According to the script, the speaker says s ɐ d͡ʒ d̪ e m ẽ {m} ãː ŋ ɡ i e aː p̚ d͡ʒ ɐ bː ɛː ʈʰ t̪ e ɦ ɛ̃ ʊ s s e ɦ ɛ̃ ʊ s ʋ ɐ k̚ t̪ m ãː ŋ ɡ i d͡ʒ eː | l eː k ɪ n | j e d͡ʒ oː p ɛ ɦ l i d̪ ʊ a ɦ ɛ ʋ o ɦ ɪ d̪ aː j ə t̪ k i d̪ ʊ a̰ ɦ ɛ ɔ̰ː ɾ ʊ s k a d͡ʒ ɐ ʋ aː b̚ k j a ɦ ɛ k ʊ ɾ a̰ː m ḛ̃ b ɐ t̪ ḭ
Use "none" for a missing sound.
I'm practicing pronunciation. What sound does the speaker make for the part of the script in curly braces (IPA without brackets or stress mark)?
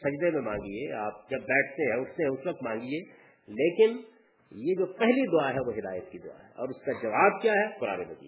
m